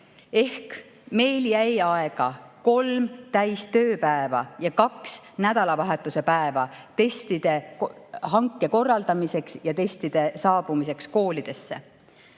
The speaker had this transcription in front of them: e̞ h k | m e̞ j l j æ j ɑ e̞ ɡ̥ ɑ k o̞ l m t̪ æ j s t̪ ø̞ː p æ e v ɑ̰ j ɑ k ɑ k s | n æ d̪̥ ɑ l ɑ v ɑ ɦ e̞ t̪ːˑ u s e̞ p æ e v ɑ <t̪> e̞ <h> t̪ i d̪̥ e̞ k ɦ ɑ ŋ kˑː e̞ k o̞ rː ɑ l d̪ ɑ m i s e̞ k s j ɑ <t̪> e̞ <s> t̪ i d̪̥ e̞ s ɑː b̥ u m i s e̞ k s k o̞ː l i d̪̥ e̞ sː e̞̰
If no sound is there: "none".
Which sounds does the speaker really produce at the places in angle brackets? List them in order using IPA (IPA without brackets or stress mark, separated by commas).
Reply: t̪, s, t̪, s